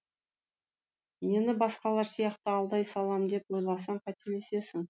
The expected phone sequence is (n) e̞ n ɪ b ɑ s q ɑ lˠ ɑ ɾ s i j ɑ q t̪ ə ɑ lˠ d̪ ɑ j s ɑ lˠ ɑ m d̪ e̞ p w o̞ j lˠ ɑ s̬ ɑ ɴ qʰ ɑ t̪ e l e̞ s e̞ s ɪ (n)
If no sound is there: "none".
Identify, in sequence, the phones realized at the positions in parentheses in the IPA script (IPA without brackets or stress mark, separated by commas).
m, ŋ